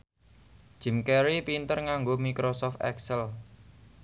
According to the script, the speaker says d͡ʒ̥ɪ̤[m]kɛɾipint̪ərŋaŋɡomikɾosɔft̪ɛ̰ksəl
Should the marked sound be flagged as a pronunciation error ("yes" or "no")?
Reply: no